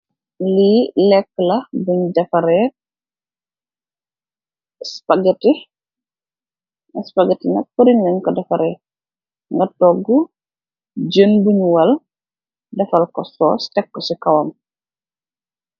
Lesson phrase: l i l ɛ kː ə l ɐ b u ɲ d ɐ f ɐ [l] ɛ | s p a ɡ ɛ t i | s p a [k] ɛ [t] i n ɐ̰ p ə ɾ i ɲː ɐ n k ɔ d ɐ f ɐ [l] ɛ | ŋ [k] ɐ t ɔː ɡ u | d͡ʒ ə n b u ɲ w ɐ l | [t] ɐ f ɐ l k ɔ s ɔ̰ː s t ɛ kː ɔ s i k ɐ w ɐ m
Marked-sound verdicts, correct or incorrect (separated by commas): incorrect, incorrect, correct, incorrect, incorrect, incorrect